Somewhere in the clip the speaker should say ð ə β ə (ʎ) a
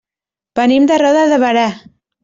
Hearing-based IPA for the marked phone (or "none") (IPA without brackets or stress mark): ɾ